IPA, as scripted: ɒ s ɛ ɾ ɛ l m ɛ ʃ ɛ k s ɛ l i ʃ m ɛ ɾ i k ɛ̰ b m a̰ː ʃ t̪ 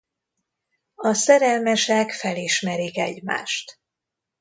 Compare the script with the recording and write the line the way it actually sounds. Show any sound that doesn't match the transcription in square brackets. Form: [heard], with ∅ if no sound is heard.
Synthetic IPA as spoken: ɒ s ɛ ɾ ɛ l m ɛ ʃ ɛ k [f] ɛ l i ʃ m ɛ ɾ i k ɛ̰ [ɟ] m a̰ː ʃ t̪